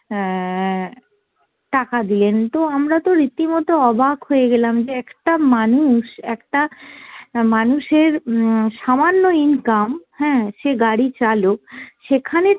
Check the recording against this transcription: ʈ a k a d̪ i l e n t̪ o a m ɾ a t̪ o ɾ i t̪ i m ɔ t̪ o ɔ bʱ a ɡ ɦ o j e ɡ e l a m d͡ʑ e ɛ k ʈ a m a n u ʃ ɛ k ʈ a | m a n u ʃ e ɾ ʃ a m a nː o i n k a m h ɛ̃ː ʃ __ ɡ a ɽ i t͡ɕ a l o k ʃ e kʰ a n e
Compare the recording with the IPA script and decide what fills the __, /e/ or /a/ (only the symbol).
e